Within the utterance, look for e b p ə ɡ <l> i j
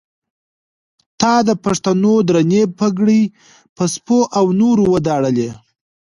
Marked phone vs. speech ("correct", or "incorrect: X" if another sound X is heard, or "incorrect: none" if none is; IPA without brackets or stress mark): incorrect: ɽ